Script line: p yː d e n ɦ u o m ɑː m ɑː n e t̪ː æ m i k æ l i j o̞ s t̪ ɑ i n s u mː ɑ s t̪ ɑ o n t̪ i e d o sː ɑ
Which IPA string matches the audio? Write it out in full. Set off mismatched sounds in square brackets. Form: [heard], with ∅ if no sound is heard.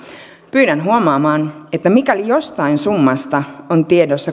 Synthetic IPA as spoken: p yː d [æ] n ɦ u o m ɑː m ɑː n e t̪ː æ m i k æ l i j o̞ s t̪ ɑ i n s u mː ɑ s t̪ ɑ o n t̪ i e d o sː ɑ